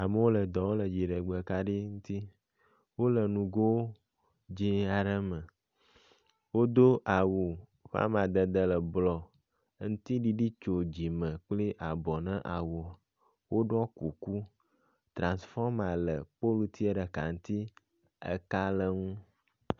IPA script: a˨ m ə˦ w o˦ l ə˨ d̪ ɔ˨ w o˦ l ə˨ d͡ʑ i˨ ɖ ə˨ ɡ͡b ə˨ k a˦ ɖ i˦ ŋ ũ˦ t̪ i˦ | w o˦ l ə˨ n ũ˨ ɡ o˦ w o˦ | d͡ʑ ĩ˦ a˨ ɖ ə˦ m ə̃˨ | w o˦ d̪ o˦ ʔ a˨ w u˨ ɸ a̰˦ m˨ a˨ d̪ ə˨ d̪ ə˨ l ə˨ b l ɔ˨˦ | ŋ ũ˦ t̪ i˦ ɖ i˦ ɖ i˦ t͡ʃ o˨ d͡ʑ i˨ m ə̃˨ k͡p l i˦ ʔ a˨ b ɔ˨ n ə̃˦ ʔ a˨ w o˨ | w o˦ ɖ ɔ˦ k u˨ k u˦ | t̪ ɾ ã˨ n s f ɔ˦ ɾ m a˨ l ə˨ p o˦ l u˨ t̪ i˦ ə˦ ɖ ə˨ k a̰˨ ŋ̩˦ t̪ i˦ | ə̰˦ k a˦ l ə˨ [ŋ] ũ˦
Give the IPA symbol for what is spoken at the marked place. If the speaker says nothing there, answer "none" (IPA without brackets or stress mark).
ŋ